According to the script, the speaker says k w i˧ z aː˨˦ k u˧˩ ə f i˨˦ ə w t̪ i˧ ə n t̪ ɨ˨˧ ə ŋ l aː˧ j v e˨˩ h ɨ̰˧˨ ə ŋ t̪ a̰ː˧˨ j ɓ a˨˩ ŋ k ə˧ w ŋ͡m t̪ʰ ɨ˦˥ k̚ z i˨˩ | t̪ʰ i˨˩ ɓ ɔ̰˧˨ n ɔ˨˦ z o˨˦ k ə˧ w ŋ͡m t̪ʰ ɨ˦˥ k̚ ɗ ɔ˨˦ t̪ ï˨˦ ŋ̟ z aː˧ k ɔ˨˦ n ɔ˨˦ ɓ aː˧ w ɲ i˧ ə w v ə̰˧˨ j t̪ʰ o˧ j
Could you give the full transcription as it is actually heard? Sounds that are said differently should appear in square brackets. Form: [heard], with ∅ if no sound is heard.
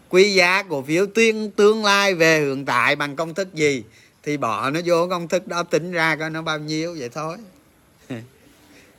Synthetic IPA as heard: k w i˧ z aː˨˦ k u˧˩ ə f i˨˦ ə w t̪ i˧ ə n t̪ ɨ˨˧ ə ŋ l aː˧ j v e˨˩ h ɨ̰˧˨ ə ŋ t̪ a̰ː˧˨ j ɓ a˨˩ ŋ k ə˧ w ŋ͡m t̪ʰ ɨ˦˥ k̚ z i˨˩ | t̪ʰ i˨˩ ɓ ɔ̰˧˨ n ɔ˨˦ z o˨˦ k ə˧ w ŋ͡m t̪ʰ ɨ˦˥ k̚ ɗ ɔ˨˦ t̪ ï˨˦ ŋ̟ z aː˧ k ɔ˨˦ n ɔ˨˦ ɓ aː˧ w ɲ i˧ ə w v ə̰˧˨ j t̪ʰ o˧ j